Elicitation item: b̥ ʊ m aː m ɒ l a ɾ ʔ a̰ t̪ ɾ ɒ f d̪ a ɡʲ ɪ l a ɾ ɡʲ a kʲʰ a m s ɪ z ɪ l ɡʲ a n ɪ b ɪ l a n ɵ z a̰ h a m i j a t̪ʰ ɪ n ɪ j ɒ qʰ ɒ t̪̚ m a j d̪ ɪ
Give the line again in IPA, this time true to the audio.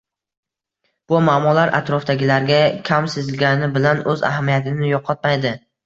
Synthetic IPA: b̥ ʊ m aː m ɒ l a ɾ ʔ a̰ t̪ ɾ ɒ f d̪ a ɡʲ ɪ l a ɾ ɡʲ a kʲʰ a m s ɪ z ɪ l ɡʲ a n ɪ b ɪ l a n ɵ z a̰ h a m i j a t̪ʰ ɪ n ɪ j ɒ qʰ ɒ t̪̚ m a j d̪ ɪ